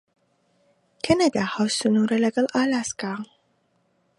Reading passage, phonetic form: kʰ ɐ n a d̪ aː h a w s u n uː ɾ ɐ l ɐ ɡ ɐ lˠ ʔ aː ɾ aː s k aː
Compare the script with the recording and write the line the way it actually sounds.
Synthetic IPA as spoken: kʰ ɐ n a d̪ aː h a w s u n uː ɾ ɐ l ɐ ɡ ɐ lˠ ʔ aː l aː s k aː

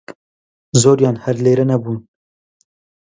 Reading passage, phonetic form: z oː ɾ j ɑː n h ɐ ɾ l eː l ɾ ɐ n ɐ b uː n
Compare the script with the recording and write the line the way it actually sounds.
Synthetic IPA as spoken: z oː ɾ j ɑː n h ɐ ɾ l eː ɾ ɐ n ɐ b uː n

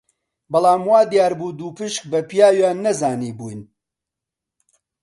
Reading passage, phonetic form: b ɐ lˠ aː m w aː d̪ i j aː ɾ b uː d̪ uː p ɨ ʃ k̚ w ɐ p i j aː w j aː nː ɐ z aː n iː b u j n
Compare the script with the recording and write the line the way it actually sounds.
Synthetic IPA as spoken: b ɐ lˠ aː m w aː d̪ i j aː ɾ b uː d̪ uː p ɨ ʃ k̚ b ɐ p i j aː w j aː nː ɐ z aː n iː b u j n

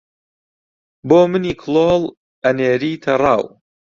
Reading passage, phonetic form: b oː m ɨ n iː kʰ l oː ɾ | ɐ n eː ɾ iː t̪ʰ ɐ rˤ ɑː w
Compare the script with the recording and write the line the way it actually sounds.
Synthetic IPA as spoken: b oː m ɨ n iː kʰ l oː l | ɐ n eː ɾ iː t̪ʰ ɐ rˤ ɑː w

